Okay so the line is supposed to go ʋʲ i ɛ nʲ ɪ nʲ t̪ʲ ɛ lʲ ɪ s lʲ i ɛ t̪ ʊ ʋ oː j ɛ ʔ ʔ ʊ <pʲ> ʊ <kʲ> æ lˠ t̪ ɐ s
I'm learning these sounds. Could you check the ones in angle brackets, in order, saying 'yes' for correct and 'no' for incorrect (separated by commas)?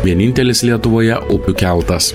yes, yes